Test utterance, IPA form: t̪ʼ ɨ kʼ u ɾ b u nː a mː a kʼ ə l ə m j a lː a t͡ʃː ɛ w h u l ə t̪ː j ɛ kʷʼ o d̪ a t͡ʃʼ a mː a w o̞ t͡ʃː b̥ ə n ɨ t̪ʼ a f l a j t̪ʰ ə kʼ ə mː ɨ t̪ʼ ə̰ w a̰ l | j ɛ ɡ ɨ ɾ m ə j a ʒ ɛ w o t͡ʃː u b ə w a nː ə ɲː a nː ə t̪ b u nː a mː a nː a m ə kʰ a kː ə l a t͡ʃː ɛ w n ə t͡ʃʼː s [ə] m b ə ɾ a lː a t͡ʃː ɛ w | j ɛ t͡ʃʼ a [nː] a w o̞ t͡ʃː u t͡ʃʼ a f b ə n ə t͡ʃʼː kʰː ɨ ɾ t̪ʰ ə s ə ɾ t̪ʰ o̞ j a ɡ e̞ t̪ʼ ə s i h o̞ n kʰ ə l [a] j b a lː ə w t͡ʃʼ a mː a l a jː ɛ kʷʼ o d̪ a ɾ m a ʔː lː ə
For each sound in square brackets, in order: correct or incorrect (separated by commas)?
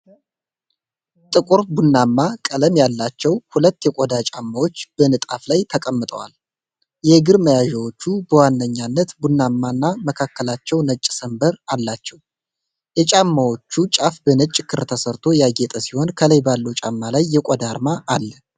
correct, incorrect, incorrect